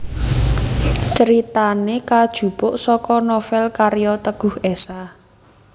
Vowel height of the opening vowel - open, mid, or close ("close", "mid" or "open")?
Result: mid